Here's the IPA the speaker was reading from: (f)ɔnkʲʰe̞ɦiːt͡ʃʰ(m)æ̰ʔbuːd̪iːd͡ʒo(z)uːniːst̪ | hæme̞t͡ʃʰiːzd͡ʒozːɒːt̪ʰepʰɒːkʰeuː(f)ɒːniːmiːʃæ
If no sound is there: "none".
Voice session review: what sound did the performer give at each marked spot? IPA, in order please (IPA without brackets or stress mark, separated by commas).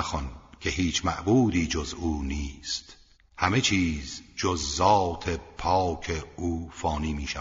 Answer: x, m, z, f